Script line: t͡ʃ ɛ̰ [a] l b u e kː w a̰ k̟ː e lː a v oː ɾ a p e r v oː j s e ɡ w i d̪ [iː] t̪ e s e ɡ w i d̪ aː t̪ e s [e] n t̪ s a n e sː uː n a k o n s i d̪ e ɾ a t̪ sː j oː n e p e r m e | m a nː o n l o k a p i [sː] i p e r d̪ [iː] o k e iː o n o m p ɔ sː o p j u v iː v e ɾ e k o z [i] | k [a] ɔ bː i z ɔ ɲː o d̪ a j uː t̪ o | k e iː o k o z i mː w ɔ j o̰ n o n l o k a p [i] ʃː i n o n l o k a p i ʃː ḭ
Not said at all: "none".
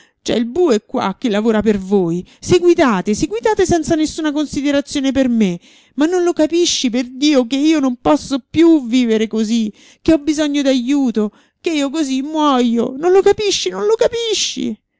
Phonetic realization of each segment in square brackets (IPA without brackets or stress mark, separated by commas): i, aː, ɛ, ʃː, iː, i, e, i